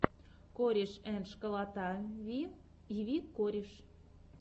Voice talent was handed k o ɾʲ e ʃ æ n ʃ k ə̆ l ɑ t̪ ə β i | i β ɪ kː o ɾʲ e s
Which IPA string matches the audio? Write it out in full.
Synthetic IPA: k o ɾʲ e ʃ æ n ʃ k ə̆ l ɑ t̪ ɑ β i | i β i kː o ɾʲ e ʃ